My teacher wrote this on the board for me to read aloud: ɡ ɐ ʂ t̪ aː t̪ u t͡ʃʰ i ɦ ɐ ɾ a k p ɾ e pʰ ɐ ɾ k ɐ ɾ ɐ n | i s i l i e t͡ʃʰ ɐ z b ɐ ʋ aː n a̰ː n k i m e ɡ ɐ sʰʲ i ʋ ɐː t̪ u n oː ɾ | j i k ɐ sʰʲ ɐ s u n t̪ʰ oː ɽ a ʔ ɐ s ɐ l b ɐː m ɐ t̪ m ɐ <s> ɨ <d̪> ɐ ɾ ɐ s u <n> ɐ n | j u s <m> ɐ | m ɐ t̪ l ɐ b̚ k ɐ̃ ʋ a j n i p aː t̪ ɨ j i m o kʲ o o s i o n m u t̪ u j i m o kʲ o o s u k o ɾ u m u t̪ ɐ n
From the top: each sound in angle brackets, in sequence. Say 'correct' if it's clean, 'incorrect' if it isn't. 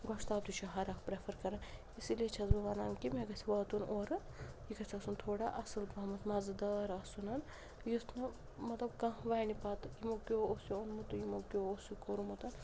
incorrect: z, correct, correct, incorrect: n

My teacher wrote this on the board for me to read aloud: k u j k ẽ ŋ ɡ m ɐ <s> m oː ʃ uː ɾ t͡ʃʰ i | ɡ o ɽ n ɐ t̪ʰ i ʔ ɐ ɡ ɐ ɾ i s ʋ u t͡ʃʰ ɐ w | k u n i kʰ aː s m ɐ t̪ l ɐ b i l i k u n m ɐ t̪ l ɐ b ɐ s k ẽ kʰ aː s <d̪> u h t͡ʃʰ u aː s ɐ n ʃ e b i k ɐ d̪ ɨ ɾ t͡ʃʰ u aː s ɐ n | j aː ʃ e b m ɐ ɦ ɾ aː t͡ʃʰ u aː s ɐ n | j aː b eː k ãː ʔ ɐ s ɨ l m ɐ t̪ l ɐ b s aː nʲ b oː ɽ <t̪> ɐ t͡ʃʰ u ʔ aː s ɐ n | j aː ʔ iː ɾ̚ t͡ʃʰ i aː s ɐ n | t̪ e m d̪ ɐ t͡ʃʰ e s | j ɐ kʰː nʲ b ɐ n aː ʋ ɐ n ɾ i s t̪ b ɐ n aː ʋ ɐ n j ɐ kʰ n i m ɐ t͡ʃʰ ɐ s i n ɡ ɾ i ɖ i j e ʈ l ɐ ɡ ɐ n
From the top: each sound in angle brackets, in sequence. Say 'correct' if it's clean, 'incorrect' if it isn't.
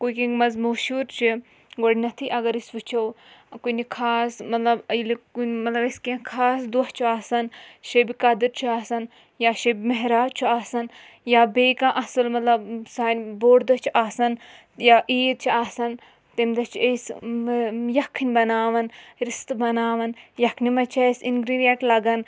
incorrect: z, correct, incorrect: d̪

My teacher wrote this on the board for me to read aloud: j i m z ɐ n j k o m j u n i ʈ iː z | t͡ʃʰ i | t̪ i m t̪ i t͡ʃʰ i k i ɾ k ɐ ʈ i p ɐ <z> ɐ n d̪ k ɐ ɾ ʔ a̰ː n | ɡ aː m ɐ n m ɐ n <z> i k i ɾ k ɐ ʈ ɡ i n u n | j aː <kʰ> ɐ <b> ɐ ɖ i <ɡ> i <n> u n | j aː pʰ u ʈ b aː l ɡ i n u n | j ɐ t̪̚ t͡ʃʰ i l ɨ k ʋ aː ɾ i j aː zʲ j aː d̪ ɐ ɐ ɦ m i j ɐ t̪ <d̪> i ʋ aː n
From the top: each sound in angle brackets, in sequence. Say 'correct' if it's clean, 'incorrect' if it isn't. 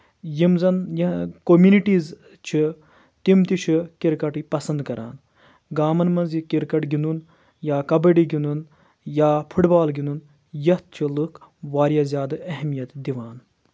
incorrect: s, correct, incorrect: k, correct, correct, correct, correct

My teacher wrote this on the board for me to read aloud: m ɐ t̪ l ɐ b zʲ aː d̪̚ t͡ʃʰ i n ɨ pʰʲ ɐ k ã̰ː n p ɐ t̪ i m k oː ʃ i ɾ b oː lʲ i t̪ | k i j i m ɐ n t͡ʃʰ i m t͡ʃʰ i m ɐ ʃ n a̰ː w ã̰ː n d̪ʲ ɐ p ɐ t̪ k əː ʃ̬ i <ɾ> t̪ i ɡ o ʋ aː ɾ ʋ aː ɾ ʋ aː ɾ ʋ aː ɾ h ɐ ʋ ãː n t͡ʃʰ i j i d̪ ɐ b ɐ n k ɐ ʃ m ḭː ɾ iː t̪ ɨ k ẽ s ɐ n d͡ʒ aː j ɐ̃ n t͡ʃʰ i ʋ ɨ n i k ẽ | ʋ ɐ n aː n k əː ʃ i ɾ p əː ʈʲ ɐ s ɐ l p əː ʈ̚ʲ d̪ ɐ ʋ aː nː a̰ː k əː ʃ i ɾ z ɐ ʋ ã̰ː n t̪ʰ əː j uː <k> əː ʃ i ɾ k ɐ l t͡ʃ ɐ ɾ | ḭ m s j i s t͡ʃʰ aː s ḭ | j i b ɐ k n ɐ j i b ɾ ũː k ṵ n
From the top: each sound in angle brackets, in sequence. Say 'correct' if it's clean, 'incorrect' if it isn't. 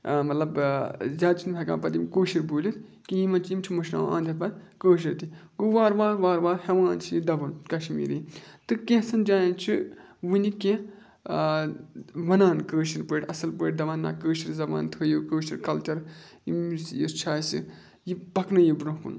correct, correct

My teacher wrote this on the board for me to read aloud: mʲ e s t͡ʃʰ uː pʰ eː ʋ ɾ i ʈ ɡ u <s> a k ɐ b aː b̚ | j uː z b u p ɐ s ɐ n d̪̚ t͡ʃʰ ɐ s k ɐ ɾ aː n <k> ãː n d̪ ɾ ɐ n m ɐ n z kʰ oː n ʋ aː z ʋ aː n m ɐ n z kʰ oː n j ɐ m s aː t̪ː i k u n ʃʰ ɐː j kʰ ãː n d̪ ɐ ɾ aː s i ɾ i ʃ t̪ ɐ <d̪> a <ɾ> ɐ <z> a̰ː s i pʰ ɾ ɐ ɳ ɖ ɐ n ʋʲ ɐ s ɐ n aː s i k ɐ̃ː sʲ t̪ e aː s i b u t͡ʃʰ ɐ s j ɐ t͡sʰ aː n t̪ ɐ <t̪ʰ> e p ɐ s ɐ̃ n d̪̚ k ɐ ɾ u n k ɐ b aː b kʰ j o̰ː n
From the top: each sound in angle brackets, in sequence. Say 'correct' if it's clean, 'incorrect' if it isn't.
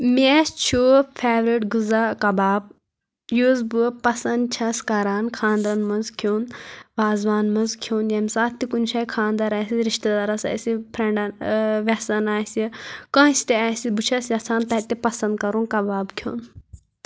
incorrect: z, incorrect: kʰ, correct, correct, incorrect: s, incorrect: t̪

